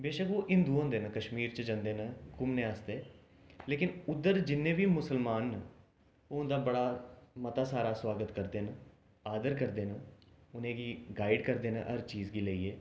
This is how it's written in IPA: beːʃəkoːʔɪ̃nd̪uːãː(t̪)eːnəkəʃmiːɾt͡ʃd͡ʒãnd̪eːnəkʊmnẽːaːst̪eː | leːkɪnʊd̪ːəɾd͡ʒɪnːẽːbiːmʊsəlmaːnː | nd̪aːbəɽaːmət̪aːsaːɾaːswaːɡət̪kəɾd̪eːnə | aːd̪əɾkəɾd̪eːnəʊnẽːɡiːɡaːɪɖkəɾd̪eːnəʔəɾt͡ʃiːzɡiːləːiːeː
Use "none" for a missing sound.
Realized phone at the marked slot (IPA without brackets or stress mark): d̪